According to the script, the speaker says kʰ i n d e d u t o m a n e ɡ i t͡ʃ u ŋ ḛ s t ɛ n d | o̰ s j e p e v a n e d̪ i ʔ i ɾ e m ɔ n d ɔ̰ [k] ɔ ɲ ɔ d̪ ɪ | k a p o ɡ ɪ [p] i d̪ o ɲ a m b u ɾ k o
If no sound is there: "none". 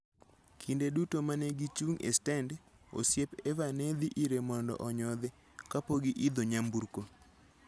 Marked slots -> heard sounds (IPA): ʔ, ʔ

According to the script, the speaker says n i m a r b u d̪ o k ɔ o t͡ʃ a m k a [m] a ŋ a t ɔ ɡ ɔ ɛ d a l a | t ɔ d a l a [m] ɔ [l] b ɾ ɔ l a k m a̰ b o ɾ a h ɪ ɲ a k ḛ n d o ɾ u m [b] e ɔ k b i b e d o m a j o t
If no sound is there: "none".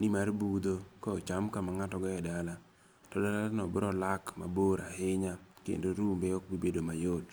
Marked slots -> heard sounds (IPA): m, n, none, b

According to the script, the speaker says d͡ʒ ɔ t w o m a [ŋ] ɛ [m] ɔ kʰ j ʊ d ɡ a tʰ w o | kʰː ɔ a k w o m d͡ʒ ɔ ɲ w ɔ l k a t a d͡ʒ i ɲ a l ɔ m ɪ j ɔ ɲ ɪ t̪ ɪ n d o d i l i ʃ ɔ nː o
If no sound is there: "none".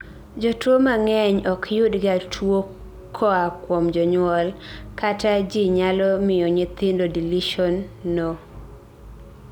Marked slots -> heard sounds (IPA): ŋ, ɲ

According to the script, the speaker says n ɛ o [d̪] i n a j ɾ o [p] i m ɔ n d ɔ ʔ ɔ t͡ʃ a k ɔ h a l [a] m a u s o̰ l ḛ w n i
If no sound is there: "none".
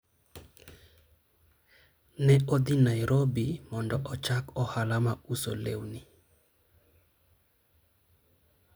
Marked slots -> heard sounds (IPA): d̪, b, a

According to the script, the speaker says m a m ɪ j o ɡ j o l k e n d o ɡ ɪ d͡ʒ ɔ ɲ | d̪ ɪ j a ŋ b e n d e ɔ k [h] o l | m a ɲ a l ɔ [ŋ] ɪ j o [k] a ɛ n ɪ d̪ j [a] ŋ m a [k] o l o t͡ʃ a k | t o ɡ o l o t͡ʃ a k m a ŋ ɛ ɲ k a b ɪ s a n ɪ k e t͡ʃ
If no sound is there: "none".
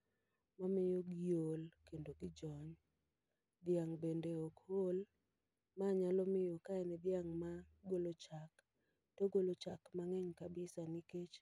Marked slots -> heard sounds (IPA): h, m, k, a, ɡ

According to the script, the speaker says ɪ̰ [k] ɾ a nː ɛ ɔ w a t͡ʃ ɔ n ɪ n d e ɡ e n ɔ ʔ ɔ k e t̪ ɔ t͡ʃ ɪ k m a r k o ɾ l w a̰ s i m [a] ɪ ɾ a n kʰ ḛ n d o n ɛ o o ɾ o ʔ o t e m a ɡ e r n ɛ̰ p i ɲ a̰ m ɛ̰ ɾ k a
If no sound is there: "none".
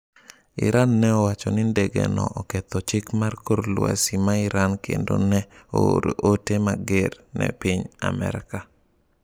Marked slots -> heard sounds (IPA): none, a

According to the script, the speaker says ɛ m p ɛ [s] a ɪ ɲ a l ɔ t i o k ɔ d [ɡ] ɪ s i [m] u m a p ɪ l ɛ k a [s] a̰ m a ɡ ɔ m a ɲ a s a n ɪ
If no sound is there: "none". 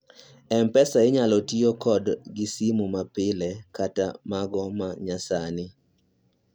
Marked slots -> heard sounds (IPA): s, ɡ, m, t

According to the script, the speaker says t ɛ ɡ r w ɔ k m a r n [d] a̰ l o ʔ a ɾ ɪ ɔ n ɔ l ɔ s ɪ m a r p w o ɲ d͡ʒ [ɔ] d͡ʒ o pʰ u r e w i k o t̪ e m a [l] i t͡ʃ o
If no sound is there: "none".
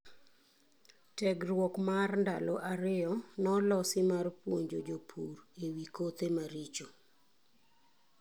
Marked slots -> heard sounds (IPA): d, o, ɾ

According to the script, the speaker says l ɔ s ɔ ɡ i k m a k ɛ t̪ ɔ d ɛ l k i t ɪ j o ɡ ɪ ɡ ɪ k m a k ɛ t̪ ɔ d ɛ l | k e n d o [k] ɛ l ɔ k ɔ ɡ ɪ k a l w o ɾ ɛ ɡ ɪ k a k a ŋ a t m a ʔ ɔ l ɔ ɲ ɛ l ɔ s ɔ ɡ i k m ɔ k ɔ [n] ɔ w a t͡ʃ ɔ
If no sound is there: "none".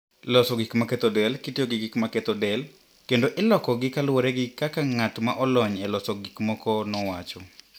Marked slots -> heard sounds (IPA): ʔ, n

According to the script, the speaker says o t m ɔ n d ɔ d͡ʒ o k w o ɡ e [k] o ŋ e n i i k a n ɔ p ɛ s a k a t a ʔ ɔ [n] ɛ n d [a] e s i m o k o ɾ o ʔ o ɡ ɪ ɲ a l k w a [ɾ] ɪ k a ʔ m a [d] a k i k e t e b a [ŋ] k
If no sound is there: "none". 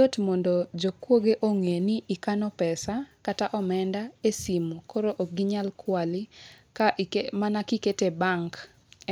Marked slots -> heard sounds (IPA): ʔ, m, a, l, n, ŋ

